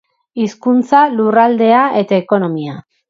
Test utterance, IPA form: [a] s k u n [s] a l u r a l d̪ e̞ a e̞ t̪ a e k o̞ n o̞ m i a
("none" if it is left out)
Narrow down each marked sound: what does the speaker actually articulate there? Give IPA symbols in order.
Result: i, t͡s

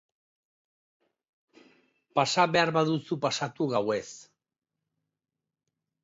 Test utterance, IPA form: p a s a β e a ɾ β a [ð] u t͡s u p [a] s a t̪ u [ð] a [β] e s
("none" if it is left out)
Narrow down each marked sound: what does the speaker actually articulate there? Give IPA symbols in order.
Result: ð, a, ɣ, w

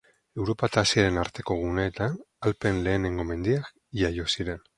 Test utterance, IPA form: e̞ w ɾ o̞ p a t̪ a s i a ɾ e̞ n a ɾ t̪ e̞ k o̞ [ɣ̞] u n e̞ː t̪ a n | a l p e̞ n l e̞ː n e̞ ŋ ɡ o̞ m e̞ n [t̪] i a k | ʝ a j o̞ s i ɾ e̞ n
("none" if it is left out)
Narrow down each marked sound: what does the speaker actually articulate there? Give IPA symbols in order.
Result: ɣ̞, d̪

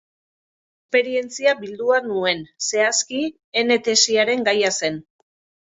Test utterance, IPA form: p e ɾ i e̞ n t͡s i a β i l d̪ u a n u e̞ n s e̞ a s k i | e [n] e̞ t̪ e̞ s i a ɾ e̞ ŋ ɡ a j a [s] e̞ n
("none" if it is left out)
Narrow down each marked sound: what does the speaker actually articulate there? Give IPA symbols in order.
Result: n, s

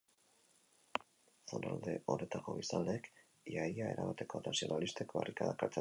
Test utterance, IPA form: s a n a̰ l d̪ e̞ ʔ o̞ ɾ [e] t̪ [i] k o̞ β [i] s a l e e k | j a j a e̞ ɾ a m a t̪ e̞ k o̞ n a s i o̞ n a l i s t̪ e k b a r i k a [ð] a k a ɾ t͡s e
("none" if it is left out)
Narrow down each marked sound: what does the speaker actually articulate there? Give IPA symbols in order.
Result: e, a, i, ð

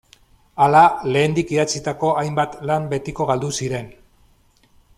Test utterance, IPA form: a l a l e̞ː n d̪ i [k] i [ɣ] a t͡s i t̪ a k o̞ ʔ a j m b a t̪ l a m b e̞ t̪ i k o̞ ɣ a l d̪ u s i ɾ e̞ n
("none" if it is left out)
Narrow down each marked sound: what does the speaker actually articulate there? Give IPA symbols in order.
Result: k, ð

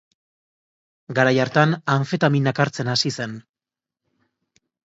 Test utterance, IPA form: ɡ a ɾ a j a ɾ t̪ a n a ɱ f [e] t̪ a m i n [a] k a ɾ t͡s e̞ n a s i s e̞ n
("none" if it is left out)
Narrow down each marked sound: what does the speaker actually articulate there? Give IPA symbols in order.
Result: e, a

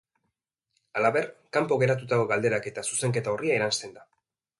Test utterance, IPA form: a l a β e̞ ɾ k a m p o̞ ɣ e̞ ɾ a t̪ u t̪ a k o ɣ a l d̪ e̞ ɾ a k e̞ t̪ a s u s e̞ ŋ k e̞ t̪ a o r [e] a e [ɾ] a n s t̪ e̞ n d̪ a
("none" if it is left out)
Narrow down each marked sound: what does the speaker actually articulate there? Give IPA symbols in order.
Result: i, ɾ

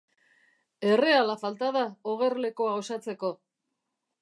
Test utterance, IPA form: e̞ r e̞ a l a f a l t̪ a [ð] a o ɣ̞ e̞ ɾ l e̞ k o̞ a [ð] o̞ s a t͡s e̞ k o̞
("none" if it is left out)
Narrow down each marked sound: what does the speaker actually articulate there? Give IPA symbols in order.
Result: ð, none

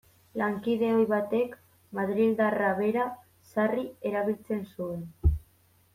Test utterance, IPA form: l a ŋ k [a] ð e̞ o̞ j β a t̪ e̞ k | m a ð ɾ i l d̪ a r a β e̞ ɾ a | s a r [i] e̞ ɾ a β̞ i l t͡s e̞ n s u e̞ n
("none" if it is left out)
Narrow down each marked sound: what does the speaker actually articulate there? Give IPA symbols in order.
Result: i, i

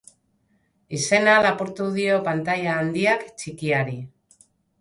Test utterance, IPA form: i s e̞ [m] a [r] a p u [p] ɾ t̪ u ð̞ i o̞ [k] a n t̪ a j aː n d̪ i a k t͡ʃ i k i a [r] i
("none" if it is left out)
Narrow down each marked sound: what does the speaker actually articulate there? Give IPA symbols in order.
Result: n, l, none, p, ɾ

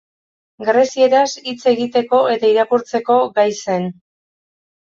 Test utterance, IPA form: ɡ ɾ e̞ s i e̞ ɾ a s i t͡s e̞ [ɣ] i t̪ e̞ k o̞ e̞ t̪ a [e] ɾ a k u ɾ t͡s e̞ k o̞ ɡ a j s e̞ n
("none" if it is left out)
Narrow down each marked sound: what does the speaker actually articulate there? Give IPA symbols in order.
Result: ɣ, i

